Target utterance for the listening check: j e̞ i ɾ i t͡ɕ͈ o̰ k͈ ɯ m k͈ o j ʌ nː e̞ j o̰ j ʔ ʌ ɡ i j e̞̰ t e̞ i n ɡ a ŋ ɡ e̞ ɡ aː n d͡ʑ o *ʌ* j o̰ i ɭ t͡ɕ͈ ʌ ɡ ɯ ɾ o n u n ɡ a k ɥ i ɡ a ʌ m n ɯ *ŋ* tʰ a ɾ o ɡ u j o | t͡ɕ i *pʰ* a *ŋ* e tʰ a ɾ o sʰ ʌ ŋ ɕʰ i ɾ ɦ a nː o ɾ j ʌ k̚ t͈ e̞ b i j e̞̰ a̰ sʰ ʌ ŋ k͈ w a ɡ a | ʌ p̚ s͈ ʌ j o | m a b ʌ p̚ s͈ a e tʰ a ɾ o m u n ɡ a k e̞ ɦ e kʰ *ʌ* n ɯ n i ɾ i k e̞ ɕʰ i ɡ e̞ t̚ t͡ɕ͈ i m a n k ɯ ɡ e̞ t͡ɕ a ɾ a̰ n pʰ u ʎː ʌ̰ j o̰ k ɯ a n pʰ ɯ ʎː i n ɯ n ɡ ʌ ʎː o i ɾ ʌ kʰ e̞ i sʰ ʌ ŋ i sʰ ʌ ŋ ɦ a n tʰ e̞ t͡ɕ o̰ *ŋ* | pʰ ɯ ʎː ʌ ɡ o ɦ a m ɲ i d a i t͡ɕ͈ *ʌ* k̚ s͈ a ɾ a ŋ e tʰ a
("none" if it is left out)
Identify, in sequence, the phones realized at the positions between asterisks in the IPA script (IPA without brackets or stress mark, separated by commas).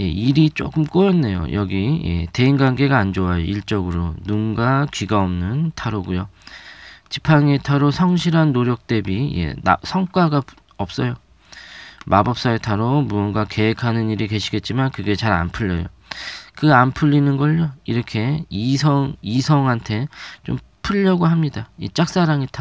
a, n, pʰ, ŋ, a, m, a